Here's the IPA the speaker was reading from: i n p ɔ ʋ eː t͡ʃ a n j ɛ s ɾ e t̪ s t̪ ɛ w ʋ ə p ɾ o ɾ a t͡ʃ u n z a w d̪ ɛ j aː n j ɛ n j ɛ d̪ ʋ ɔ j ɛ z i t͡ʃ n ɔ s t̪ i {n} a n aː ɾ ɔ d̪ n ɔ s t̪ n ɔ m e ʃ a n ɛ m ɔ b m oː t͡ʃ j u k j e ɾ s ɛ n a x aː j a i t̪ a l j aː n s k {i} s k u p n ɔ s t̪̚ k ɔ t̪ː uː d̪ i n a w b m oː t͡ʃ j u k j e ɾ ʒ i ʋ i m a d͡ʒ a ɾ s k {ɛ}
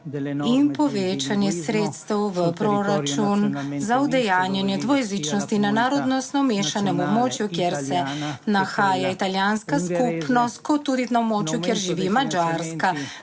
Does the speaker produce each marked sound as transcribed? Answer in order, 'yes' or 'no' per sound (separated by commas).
yes, no, no